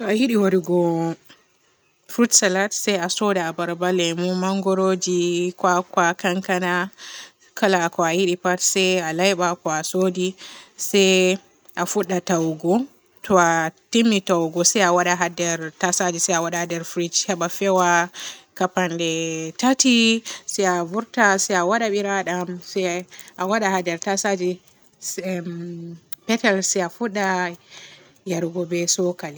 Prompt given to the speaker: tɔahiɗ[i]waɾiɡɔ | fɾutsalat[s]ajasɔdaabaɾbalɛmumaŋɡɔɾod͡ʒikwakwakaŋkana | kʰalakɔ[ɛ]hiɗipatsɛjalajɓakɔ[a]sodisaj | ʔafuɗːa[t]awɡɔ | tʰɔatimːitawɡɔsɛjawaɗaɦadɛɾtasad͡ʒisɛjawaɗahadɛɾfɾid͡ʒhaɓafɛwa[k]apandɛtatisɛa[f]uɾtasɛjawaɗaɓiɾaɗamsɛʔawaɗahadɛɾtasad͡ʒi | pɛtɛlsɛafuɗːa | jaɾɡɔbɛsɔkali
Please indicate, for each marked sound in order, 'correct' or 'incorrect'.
correct, correct, incorrect, correct, correct, correct, incorrect

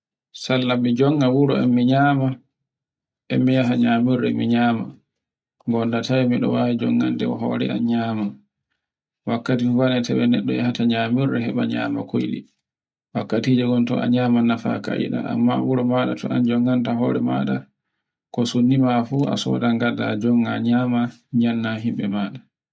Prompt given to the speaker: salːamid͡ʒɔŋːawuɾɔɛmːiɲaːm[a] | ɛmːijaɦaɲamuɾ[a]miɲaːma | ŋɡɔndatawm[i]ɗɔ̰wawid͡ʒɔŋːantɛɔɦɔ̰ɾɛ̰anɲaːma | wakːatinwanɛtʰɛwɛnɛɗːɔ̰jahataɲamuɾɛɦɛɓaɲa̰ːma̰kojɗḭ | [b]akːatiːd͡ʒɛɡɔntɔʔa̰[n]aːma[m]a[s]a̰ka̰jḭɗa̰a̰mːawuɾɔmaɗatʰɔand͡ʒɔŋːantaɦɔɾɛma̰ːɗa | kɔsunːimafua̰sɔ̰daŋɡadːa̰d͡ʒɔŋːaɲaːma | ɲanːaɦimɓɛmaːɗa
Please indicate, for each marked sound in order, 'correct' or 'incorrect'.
correct, incorrect, correct, incorrect, incorrect, incorrect, incorrect

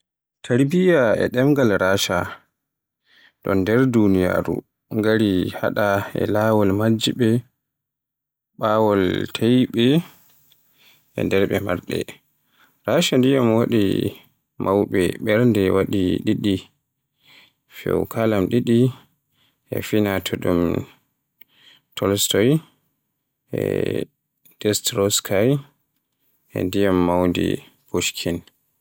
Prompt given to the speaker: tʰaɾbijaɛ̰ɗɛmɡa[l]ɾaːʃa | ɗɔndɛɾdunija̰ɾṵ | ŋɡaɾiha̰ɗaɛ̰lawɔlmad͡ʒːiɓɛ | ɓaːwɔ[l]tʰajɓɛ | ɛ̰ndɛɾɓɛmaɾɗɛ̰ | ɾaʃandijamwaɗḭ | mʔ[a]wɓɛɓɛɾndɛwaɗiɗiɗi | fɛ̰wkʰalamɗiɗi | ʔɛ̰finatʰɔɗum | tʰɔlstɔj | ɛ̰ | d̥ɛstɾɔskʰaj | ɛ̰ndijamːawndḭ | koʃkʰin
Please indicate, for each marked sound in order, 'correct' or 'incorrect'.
correct, correct, correct

